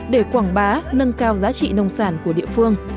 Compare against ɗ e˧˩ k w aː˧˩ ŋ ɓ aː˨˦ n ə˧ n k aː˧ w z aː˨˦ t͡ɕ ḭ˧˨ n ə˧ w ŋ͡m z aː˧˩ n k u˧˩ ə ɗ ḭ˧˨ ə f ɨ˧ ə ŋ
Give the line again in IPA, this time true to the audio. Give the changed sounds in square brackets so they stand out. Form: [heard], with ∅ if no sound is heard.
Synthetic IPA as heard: ɗ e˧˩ k w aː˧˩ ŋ ɓ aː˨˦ n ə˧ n k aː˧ w z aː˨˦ t͡ɕ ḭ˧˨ n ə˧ w ŋ͡m [s] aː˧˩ n k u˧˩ ə ɗ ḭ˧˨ ə f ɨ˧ ə ŋ